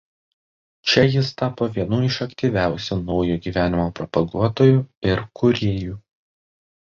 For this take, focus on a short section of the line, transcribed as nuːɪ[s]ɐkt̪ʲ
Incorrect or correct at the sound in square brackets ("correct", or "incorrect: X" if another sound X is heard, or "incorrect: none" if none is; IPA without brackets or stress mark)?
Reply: incorrect: ʃ